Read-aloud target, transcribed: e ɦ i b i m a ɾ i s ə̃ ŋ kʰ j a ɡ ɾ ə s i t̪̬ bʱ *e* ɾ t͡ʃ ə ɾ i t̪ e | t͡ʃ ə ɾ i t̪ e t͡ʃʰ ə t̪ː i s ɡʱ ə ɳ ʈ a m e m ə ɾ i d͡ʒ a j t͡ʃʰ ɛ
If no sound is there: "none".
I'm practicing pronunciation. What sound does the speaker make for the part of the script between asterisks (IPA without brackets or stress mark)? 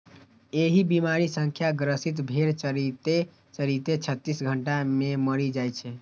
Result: e